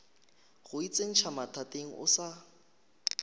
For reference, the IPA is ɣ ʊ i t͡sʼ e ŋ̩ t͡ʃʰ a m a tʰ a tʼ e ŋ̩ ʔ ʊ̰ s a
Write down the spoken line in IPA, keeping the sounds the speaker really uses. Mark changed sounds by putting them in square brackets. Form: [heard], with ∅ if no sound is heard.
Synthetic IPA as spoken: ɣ ʊ i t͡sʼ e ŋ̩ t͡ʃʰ a m a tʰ a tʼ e ŋ̩ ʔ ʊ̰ s a